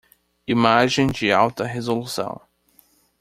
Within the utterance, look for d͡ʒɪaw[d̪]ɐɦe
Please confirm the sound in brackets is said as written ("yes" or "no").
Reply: no